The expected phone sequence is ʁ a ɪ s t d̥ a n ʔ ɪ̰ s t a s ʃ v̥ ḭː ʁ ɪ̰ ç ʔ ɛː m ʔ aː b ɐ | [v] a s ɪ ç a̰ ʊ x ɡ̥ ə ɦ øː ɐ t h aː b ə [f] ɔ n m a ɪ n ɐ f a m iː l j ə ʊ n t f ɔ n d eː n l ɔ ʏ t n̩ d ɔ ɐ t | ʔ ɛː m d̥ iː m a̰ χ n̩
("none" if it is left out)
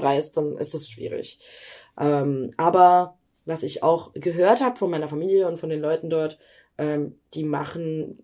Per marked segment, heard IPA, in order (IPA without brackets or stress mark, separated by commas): v, f